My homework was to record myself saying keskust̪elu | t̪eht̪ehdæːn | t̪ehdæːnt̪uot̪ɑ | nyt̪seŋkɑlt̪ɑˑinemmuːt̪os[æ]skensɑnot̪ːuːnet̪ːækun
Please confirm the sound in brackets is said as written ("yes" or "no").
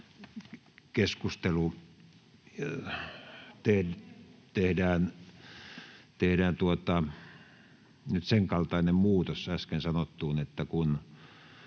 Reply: yes